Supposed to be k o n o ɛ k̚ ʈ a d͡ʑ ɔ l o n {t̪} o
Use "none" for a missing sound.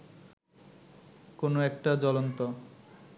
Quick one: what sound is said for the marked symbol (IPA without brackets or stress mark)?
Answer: t̪